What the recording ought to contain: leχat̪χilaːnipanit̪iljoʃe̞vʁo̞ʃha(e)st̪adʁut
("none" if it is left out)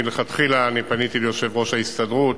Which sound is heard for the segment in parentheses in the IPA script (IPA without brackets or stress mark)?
i